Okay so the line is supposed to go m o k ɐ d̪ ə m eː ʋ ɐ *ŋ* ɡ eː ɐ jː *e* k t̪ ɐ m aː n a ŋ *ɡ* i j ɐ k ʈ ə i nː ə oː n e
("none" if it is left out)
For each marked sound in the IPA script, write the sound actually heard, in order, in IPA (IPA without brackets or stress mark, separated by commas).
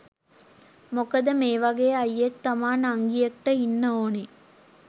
none, e, ɡ